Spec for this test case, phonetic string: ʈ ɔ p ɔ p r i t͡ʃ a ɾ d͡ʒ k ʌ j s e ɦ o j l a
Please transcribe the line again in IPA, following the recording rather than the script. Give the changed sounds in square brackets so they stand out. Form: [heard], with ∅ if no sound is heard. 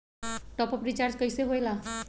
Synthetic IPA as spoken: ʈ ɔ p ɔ p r i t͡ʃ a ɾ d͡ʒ k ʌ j s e ɦ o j l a